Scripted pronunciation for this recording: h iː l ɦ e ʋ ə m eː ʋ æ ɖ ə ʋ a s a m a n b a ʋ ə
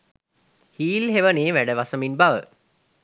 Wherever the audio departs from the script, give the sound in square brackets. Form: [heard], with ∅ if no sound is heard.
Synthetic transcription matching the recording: h iː l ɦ e ʋ ə [n] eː ʋ æ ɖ ə ʋ a s [ə] m [i] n b a ʋ ə